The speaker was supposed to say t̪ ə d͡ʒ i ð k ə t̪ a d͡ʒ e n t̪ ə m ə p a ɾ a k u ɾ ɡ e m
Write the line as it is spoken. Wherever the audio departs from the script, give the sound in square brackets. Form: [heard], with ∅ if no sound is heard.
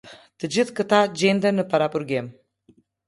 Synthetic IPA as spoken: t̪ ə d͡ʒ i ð k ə t̪ a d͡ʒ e n [d̪] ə [n] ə p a ɾ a [p] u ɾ ɡ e m